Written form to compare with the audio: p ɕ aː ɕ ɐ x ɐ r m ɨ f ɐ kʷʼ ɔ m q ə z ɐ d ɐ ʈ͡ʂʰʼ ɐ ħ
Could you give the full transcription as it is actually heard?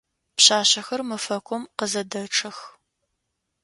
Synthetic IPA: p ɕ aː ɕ ɐ x ɐ r m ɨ f ɐ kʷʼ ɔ m q ə z ɐ d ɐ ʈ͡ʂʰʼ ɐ x